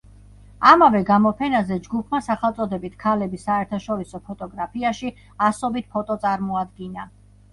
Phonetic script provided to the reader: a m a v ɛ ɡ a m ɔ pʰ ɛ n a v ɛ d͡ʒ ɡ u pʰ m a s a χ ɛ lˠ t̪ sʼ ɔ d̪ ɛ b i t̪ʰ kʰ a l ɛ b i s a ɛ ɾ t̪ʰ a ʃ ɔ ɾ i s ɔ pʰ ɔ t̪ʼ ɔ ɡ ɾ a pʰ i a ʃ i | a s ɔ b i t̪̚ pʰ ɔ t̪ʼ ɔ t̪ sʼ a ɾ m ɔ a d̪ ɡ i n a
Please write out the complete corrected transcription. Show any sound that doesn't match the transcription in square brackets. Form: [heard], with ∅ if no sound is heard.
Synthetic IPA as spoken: a m a v ɛ ɡ a m ɔ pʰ ɛ n a [z] ɛ d͡ʒ ɡ u pʰ m a s a χ ɛ lˠ t̪ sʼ ɔ d̪ ɛ b i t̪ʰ kʰ a l ɛ b i s a ɛ ɾ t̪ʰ a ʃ ɔ ɾ i s ɔ pʰ ɔ t̪ʼ ɔ ɡ ɾ a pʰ i a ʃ i | a s ɔ b i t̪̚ pʰ ɔ t̪ʼ ɔ t̪ sʼ a ɾ m ɔ a d̪ ɡ i n a